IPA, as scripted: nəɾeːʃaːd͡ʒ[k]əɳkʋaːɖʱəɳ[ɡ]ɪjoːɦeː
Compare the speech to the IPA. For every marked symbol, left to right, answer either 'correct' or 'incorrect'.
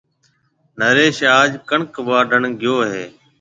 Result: correct, correct

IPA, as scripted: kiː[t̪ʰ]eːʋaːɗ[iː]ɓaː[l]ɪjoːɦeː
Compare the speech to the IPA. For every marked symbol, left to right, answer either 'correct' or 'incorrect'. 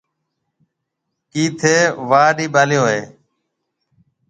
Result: correct, correct, correct

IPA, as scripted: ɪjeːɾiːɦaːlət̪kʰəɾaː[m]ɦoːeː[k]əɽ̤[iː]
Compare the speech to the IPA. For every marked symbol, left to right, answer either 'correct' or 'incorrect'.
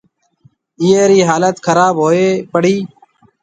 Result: incorrect: b, incorrect: p, correct

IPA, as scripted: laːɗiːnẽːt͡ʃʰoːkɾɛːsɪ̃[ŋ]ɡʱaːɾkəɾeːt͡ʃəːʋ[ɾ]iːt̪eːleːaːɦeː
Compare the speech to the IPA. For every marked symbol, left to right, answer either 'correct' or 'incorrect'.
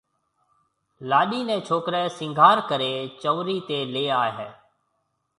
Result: correct, correct

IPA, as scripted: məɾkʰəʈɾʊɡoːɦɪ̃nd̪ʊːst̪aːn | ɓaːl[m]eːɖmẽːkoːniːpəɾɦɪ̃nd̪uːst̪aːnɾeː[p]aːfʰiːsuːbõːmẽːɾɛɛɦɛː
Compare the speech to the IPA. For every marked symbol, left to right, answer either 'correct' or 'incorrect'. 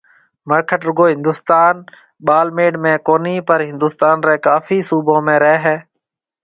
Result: correct, incorrect: k

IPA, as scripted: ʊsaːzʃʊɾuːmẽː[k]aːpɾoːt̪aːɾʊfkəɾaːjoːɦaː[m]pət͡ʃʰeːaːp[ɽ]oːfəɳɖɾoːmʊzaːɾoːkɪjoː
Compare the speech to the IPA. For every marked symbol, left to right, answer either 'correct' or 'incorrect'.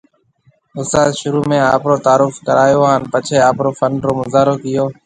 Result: incorrect: none, incorrect: n, incorrect: ɾ

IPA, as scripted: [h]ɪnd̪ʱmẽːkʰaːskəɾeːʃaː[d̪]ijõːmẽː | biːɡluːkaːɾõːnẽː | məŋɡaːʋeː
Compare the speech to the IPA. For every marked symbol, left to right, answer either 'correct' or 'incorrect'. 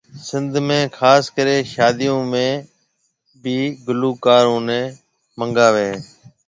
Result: incorrect: s, correct

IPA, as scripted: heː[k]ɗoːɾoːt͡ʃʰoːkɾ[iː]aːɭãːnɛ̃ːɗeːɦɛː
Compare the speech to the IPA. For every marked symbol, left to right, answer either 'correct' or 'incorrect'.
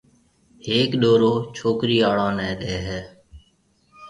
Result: correct, correct

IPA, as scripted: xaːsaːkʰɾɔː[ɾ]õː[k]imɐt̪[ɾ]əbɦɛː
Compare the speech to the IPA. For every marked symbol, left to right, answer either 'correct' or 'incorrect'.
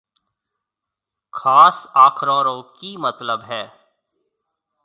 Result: correct, correct, incorrect: l

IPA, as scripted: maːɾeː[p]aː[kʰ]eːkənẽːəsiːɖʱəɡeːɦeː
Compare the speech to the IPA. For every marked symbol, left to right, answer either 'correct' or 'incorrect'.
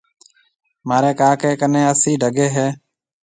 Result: incorrect: k, incorrect: k

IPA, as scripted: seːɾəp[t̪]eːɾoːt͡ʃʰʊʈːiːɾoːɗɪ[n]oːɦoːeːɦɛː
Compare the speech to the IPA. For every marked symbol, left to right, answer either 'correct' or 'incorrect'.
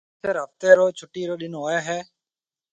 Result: correct, correct

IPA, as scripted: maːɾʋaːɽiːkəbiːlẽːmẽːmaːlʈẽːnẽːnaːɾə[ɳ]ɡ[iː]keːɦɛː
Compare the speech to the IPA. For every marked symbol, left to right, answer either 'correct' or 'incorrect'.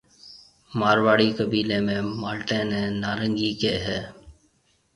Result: incorrect: ŋ, correct

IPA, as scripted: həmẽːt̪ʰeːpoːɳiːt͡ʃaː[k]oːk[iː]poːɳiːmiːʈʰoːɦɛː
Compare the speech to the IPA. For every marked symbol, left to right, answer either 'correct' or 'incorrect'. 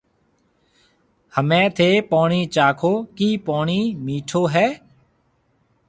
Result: incorrect: kʰ, correct

